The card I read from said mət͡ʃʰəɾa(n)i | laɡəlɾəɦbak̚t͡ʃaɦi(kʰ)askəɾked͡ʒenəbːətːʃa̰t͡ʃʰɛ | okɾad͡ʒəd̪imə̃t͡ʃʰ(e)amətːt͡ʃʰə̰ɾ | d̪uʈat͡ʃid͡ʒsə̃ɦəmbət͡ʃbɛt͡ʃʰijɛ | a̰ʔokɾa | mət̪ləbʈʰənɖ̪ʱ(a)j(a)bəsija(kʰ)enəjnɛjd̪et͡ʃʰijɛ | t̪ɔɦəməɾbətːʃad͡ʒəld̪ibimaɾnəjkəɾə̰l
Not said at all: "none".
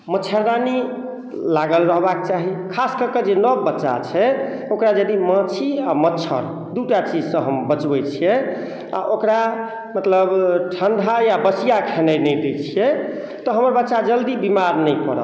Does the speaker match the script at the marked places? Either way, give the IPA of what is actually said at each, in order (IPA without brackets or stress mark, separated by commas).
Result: n, kʰ, i, a, a, kʰ